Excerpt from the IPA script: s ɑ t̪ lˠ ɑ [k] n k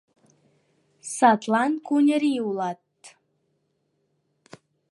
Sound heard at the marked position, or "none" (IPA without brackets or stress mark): none